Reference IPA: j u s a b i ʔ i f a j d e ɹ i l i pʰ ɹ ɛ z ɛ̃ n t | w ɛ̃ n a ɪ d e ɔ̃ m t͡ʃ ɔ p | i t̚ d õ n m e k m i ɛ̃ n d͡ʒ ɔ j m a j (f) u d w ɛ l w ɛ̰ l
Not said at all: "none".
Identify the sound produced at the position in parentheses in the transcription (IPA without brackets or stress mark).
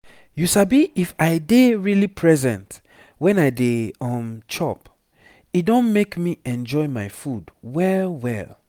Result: f